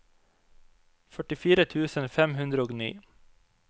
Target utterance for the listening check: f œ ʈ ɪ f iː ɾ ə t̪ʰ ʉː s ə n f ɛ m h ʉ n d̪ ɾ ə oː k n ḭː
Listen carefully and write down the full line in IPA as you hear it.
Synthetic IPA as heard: f œ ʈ ɪ f iː ɾ ə t̪ʰ ʉː s ə n f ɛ m h ʉ n d̪ ɾ ə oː ɡ n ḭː